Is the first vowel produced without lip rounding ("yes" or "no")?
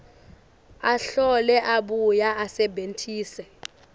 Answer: yes